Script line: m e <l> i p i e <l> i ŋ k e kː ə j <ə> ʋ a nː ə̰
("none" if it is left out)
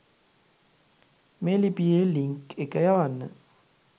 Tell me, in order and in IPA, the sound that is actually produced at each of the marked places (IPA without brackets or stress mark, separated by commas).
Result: l, l, a